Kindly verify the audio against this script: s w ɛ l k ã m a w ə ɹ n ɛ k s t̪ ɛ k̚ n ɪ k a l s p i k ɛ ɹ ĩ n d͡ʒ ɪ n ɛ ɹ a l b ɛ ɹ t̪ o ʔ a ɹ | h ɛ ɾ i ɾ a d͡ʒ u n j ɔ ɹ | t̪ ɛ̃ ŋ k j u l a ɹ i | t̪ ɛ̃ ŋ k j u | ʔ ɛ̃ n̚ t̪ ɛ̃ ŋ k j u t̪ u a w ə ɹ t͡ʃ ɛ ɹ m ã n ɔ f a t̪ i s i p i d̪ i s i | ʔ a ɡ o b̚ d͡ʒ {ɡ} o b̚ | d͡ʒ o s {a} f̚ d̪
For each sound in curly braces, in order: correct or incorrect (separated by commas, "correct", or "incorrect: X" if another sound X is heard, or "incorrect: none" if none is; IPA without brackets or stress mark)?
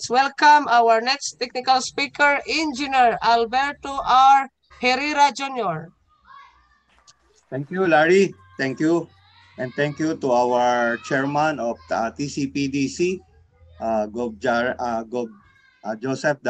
correct, incorrect: ɛ